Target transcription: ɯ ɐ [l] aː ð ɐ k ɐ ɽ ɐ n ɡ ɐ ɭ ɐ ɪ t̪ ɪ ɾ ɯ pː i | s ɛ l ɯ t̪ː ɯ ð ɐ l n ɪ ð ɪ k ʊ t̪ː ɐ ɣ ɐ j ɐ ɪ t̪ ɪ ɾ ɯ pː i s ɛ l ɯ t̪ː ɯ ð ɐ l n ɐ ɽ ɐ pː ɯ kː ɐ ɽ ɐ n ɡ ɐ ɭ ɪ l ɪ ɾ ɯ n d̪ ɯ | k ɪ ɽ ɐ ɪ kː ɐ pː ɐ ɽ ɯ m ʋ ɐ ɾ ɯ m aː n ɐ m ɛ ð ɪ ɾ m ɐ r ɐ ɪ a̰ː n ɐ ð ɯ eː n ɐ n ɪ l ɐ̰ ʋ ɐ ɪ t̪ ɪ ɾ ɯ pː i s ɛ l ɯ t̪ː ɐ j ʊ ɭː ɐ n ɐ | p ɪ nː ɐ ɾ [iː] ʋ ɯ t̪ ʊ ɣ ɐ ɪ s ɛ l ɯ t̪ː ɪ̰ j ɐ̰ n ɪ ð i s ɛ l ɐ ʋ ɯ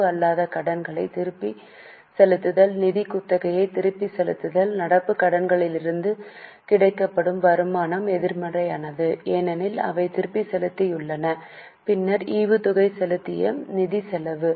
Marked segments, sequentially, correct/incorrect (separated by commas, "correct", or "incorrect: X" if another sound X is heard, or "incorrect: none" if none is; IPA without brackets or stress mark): incorrect: lː, correct